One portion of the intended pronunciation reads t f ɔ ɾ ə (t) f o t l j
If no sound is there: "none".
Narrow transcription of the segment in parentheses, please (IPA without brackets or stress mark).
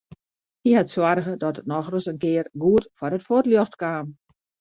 t